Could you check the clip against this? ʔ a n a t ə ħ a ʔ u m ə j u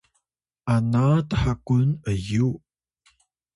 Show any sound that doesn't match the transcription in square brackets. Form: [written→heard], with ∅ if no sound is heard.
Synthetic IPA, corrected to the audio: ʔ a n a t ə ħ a [ʔ→k] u [m→n] ə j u